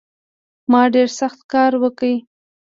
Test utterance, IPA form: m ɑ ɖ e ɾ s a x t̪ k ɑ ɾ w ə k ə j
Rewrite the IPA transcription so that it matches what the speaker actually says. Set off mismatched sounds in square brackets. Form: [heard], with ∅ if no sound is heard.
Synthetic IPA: m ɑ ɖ e ɾ s a x t̪ k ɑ ɾ w ə k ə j